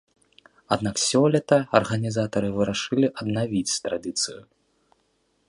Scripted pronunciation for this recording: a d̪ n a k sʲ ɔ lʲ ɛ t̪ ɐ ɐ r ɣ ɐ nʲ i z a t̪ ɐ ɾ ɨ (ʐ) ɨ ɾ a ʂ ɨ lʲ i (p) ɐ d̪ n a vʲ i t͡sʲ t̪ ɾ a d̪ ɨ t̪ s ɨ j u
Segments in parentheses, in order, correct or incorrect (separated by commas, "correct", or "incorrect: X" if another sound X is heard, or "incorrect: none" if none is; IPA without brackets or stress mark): incorrect: v, incorrect: ʔ